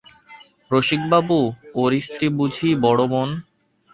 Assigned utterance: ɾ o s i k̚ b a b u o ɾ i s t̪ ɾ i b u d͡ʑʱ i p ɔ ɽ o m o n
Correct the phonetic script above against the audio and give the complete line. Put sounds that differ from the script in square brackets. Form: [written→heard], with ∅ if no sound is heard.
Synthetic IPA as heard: ɾ o [s→ʃ] i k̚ b a b u o ɾ i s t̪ ɾ i b u d͡ʑʱ i [p→b] ɔ ɽ o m o n